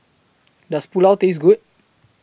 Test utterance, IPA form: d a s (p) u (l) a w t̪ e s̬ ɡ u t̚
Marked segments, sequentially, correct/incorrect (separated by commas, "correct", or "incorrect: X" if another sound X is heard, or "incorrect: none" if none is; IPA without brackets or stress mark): correct, correct